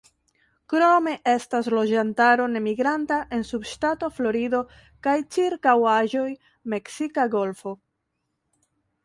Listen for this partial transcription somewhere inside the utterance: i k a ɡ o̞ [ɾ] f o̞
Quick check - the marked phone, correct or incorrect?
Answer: incorrect